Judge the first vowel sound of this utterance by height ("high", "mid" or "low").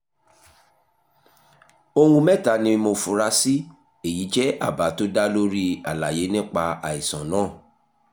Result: mid